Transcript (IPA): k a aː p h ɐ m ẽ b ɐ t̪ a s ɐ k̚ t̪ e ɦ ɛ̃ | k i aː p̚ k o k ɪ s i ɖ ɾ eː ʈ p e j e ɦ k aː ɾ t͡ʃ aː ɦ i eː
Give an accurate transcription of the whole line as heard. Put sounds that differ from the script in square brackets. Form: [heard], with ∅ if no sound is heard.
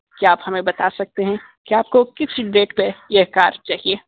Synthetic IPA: k [i] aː p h ɐ m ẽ b ɐ t̪ a s ɐ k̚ t̪ e ɦ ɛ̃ | k i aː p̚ k o k ɪ s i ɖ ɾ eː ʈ p e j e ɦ k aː ɾ t͡ʃ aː ɦ i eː